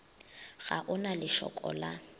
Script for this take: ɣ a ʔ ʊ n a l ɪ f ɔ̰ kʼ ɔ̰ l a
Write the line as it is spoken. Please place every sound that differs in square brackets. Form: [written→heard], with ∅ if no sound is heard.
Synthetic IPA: ɣ a ʔ ʊ n a l ɪ [f→ʃ] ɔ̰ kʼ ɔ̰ l a